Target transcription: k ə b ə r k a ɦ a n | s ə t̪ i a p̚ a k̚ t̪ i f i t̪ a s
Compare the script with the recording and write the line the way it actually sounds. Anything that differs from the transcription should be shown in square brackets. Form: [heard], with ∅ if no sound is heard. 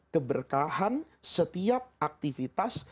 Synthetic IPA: k ə b ə r k a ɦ a n | s ə t̪ i a p̚ a k̚ t̪ i f i t̪ a s

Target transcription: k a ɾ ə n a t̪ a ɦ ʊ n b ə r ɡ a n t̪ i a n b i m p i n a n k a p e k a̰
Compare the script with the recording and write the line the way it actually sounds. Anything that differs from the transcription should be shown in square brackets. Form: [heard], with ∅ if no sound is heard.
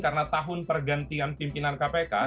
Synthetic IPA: k a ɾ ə n a t̪ a ɦ ʊ n [p] ə r ɡ a n t̪ i a n [p] i m p i n a n k a p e k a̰

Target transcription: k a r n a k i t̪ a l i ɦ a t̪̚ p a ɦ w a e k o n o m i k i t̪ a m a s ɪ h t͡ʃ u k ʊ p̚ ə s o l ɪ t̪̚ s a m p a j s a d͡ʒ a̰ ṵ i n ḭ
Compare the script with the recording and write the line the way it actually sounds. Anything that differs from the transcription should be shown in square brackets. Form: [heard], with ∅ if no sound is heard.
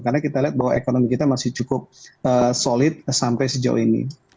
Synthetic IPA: k a r n a k i t̪ a l i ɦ a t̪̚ [b] a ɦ w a e k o n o m i k i t̪ a m a s ɪ h t͡ʃ u k ʊ p̚ ə s o l ɪ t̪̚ s a m p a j s [ə] d͡ʒ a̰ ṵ i n ḭ

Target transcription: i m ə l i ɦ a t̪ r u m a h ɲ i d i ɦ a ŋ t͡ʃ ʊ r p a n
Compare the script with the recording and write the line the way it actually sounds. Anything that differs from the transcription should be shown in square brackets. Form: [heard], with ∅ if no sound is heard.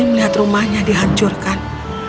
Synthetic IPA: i m ə l i ɦ a t̪ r u m a h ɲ [a] d i ɦ a [ɲ] t͡ʃ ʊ r [k] a n

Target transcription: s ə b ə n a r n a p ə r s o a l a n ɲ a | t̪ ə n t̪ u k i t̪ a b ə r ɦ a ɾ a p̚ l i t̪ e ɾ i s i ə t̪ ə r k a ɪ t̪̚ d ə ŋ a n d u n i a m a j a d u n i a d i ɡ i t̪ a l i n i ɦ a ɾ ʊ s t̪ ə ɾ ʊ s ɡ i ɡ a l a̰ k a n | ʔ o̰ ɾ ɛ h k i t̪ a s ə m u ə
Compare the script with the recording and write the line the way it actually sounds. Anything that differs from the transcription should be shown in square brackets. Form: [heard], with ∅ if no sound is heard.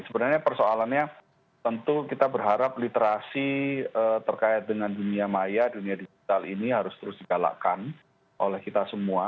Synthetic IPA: s ə b ə n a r [ɲ] a p ə r s o a l a n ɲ a | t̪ ə n t̪ u k i t̪ a b ə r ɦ a ɾ a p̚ l i t̪ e ɾ [a] s i ə t̪ ə r k a ɪ t̪̚ d ə ŋ a n d u n i a m a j a d u n i a d i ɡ i t̪ a l i n i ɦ a ɾ ʊ s t̪ ə ɾ ʊ s [d] i ɡ a l a̰ k a n | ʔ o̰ [l] ɛ h k i t̪ a s ə m u [a]

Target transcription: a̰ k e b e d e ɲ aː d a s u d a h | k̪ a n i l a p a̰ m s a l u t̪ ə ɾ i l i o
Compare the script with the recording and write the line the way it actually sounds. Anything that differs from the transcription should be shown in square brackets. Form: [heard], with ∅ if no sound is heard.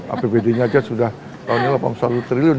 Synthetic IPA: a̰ [p] e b e d e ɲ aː [d͡ʒ] a s u d a h | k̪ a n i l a p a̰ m s a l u t̪ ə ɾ i l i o

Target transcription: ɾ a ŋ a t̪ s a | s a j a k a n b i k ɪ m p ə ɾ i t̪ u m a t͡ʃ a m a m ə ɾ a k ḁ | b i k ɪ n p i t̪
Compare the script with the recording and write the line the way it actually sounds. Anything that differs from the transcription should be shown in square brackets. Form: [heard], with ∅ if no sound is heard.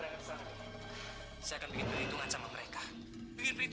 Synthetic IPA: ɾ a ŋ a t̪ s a | s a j a k a n b i k ɪ [n] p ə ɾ i t̪ u [ŋ] a t͡ʃ a m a m ə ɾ [e] k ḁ | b i k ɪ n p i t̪

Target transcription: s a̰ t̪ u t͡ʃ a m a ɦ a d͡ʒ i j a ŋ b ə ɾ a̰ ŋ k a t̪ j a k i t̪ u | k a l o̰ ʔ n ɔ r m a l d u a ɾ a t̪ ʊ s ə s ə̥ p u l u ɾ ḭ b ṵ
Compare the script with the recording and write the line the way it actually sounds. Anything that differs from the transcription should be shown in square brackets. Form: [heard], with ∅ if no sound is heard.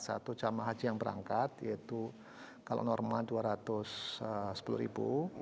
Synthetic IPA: s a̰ t̪ u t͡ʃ a m a ɦ a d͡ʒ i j a ŋ b ə ɾ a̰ ŋ k a t̪ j a [∅] i t̪ u | k a l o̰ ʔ n ɔ r m a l d u a ɾ a t̪ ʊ s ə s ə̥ p u l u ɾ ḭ b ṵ

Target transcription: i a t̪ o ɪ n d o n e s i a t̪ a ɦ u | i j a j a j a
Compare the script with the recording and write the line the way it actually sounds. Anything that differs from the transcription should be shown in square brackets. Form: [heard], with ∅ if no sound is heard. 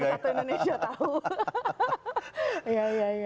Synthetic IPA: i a t̪ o [i] n d o n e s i a t̪ a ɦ u | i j a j a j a

